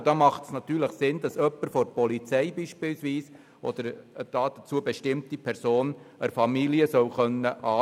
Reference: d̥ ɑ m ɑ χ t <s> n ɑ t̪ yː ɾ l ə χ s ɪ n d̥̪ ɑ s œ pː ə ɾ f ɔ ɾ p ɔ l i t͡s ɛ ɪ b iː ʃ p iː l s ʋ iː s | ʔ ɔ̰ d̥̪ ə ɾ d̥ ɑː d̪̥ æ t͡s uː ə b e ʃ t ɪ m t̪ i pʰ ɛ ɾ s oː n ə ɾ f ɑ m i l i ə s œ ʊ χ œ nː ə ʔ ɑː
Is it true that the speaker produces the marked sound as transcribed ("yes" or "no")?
yes